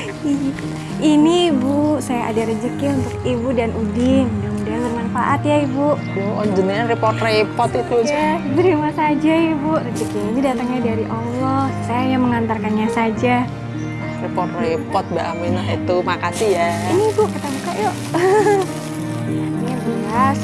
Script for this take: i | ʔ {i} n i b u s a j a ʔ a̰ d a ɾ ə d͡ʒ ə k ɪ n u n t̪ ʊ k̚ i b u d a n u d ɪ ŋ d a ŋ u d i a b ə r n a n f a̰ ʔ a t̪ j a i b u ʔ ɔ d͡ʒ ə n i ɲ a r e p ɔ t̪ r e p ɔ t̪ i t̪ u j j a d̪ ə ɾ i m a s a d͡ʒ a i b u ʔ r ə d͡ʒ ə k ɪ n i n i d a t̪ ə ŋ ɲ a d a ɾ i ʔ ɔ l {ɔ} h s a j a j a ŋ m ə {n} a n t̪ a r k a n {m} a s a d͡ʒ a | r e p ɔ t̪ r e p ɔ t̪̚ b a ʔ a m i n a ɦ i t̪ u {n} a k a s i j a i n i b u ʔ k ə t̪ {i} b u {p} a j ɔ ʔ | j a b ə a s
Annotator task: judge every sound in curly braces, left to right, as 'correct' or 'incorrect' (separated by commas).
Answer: correct, correct, incorrect, incorrect, incorrect, incorrect, incorrect